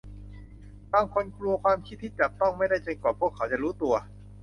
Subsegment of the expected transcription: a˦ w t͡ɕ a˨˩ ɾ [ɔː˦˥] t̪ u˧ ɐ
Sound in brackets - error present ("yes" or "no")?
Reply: yes